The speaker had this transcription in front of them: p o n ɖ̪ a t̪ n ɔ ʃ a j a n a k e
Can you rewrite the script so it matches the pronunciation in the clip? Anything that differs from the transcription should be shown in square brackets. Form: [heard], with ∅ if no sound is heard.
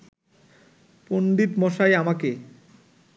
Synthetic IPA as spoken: p o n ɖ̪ [i] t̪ [m] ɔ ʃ a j a [m] a k e